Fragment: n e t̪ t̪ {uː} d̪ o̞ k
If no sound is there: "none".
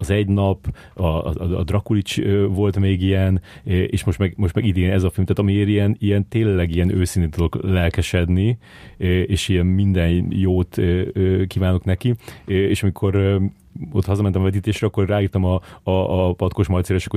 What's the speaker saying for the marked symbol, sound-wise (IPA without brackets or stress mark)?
u